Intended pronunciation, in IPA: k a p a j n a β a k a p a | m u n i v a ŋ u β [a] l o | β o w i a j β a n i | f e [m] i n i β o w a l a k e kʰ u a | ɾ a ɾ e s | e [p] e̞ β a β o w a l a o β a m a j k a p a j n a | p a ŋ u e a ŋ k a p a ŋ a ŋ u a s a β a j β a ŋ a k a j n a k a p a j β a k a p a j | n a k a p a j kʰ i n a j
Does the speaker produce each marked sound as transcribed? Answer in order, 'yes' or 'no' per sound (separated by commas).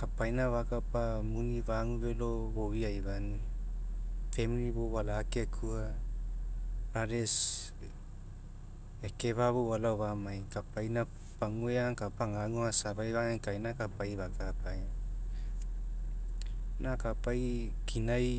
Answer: no, yes, no